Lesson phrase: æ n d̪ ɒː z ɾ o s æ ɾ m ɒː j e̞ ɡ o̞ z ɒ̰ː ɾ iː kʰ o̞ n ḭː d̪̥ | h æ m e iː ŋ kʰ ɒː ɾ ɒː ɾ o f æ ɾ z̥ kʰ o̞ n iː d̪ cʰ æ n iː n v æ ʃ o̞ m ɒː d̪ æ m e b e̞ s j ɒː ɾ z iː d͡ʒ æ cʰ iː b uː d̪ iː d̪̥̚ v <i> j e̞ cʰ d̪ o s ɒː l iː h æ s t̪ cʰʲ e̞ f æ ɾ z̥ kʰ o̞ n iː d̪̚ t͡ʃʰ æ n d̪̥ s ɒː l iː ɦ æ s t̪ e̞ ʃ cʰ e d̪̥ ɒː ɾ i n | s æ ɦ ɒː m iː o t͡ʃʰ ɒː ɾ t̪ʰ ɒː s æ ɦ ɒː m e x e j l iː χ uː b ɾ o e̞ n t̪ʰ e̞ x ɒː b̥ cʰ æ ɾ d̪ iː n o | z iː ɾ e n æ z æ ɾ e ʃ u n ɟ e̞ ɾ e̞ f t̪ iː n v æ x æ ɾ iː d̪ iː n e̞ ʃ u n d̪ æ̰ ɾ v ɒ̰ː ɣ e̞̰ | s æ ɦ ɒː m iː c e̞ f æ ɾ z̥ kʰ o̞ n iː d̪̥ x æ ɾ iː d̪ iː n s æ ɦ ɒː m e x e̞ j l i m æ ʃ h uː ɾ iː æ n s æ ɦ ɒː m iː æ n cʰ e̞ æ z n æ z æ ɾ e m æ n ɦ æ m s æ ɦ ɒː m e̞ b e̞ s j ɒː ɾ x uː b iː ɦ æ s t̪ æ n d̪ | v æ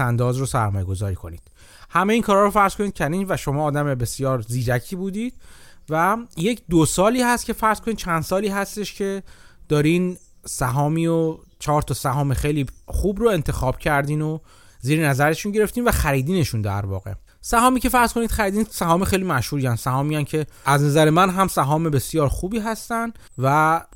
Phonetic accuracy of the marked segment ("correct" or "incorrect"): incorrect